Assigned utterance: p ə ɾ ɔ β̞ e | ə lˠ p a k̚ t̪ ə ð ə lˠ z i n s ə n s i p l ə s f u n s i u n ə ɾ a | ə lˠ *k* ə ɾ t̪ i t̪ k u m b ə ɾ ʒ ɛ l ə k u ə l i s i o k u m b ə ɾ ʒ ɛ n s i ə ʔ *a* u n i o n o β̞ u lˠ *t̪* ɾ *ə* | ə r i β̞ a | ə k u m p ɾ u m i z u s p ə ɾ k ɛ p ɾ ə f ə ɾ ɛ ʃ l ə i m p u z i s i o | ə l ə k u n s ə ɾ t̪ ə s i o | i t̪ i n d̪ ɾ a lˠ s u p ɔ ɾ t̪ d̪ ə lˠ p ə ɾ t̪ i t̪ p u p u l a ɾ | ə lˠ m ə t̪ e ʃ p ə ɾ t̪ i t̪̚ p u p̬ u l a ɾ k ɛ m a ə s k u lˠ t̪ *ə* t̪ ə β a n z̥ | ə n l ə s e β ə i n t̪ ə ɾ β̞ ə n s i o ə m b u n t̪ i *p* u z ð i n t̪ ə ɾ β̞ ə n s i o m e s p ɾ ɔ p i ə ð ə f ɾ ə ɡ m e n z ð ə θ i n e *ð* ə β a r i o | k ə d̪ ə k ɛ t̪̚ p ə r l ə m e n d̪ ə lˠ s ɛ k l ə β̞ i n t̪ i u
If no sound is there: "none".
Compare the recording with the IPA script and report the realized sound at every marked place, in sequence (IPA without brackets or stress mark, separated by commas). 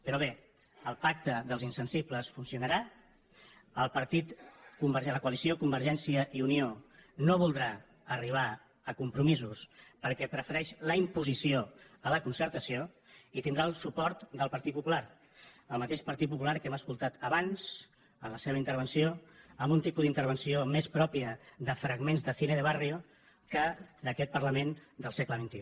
p, i, d̪, a, a, p, ð